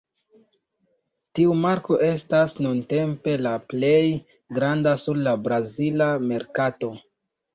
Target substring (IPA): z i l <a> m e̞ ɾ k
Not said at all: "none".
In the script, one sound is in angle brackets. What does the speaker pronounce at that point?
a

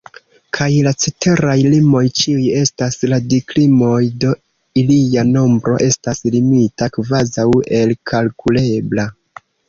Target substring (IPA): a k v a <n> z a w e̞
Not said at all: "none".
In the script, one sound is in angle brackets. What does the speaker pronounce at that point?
none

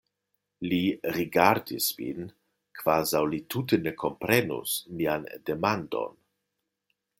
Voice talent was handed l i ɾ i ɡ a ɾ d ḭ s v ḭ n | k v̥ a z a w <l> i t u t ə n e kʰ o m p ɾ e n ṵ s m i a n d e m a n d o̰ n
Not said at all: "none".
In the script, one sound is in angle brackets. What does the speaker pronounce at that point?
l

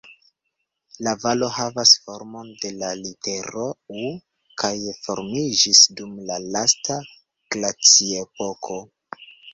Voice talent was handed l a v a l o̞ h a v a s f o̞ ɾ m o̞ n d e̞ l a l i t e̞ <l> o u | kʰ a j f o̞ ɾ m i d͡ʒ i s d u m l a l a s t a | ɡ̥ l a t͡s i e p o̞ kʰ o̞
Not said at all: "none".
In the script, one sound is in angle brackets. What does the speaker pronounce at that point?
ɾ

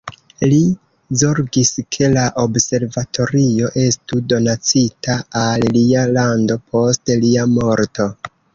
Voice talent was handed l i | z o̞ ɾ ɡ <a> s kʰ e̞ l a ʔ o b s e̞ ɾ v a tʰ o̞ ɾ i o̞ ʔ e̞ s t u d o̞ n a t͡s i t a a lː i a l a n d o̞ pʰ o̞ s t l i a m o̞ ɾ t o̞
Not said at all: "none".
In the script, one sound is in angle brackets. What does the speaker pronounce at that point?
i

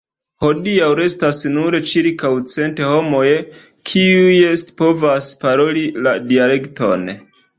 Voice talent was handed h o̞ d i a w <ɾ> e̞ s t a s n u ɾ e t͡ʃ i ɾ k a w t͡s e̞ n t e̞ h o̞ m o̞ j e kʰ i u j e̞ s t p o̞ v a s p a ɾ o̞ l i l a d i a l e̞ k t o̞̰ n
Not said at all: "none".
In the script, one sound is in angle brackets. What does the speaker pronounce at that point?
ɾ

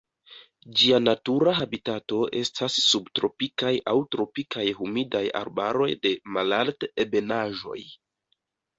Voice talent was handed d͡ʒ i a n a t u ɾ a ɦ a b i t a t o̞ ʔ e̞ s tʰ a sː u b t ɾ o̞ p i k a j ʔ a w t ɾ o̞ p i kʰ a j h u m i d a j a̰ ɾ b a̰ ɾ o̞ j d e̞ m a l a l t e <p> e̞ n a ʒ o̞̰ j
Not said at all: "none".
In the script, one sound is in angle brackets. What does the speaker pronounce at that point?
b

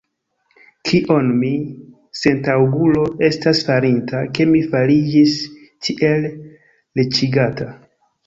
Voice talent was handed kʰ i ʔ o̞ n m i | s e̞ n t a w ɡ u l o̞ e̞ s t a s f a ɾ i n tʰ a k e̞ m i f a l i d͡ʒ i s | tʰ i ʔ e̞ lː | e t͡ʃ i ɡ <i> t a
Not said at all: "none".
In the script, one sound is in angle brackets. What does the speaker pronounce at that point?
a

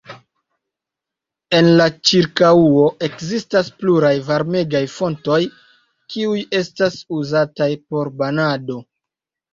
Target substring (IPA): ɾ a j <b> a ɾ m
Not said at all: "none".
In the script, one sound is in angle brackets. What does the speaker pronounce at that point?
v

